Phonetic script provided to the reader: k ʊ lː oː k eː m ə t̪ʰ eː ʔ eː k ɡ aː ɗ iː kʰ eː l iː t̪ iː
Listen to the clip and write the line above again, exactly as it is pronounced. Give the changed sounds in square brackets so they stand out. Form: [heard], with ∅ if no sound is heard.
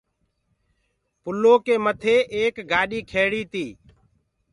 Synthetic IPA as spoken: [p] ʊ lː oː k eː m ə t̪ʰ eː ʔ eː k ɡ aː ɗ iː kʰ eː [ɽ] iː t̪ iː